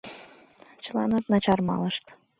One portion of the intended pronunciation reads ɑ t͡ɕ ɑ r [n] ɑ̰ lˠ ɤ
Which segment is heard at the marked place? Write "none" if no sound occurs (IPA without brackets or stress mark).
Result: m